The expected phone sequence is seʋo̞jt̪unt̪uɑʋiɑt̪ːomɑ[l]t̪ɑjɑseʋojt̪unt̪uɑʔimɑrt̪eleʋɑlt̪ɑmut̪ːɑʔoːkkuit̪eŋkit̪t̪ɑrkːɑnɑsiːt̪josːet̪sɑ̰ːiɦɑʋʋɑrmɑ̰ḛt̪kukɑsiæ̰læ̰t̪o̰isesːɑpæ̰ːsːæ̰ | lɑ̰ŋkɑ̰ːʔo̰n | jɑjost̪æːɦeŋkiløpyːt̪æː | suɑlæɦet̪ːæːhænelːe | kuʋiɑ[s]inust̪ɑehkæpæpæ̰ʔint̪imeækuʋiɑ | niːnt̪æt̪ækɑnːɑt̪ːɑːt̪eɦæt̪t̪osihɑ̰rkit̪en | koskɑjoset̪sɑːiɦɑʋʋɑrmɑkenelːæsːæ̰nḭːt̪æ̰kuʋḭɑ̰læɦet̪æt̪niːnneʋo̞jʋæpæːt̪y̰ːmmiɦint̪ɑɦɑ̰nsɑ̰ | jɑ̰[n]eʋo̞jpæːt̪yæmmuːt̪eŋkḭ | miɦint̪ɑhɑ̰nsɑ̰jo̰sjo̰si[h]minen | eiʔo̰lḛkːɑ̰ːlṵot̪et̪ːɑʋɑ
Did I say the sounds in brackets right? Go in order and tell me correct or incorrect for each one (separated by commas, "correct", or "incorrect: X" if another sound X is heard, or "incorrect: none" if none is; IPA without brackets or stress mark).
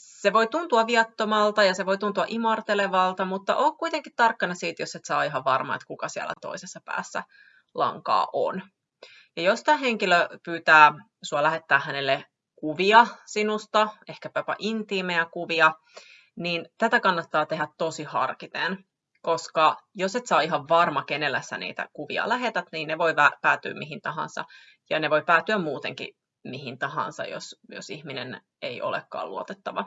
correct, correct, correct, correct